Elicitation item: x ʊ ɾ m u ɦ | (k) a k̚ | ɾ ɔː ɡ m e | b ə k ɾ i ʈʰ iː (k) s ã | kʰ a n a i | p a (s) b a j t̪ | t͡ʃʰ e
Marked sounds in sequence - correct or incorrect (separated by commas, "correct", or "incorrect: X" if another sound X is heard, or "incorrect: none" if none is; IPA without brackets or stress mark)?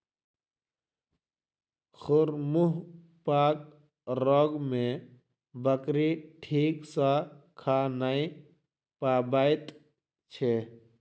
incorrect: p, correct, incorrect: none